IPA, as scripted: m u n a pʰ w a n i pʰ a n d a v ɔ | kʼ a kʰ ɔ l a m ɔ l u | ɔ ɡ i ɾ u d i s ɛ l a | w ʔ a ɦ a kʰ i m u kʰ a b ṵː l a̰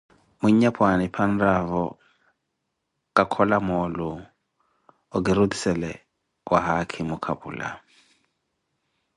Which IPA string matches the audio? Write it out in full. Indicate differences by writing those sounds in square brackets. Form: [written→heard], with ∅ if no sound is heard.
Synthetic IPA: m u [n→ɲ] a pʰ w a n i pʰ a n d a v ɔ | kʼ a kʰ ɔ l a m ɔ l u | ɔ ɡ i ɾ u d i s ɛ l [a→ɛ] | w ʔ a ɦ a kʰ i m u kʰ a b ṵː l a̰